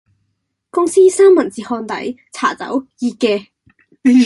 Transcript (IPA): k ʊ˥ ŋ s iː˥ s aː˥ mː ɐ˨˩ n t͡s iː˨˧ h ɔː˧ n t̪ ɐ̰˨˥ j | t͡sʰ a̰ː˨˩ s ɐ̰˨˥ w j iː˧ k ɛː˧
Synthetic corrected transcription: k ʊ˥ ŋ s iː˥ s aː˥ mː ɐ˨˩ n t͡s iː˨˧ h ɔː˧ n t̪ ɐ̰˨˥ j | t͡sʰ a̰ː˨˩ t͡s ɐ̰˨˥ w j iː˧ k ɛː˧

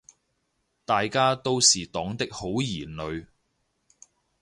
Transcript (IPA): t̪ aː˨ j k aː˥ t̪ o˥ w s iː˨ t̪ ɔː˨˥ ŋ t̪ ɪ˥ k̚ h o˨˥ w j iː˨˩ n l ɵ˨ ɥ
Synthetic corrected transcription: t̪ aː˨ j k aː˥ t̪ o˥ w s iː˨ t̪ ɔː˨˥ ŋ t̪ ɪ˥ k̚ h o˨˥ w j iː˨˩ n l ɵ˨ ɥ

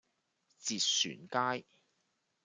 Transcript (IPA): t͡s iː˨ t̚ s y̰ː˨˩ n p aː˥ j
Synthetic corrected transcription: t͡s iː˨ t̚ s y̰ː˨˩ n k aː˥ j

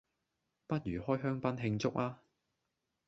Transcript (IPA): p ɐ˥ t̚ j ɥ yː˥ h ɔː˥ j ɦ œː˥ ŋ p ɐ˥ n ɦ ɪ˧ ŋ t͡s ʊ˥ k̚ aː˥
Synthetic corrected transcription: p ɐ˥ t̚ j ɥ yː˨˩ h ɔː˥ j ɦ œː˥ ŋ p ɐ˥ n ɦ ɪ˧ ŋ t͡s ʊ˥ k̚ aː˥

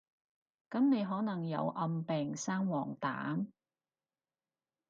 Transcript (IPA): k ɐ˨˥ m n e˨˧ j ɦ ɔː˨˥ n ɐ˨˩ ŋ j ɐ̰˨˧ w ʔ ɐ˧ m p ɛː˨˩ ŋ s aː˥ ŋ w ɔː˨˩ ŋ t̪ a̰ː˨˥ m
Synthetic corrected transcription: k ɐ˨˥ m n e˨˧ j ɦ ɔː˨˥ n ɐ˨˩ ŋ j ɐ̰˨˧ w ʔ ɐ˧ m p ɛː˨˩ ŋ s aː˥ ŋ w ɔː˨˩ ŋ t̪ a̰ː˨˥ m

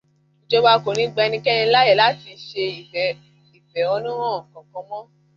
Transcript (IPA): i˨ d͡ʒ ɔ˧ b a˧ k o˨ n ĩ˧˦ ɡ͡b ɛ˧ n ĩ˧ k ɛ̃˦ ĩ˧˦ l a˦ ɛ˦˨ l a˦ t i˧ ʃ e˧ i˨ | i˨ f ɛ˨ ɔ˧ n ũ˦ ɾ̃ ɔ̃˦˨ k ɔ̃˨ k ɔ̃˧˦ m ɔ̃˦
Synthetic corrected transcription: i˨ d͡ʒ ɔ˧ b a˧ k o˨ n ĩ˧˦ ɡ͡b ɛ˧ n ĩ˧ k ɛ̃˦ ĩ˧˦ l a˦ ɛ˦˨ l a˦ t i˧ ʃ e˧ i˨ | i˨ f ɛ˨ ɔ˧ n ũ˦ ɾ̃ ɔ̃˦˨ k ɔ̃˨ k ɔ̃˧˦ m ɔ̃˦

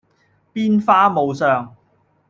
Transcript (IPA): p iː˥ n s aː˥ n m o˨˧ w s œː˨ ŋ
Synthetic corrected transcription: p iː˥ n f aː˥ m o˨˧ w s œː˨ ŋ

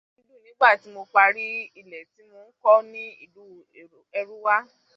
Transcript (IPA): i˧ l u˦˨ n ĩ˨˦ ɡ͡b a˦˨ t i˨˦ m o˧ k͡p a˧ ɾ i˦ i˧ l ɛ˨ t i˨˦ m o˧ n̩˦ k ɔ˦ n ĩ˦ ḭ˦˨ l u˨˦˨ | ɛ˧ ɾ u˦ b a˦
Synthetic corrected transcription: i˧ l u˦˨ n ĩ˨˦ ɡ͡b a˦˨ t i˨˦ m o˧ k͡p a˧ ɾ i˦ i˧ l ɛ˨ t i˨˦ m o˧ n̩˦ k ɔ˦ n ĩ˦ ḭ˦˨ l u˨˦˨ | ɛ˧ ɾ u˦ w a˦

